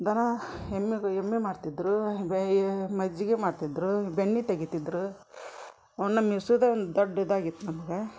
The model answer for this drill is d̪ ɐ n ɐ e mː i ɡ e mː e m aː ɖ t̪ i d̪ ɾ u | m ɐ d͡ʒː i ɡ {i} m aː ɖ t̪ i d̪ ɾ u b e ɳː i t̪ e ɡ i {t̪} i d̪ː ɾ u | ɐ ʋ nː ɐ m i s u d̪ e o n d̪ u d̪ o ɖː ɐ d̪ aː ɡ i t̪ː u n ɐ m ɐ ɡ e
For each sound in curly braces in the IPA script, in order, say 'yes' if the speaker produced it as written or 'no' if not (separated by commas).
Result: no, yes